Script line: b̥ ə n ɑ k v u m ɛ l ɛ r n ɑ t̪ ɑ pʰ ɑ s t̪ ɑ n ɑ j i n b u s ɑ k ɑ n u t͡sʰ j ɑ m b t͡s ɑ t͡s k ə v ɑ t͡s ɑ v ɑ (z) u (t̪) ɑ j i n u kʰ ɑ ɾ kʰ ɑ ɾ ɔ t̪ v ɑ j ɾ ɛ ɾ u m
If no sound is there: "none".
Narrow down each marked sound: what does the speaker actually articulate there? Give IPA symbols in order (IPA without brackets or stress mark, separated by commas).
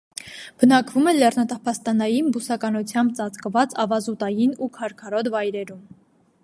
z, t̪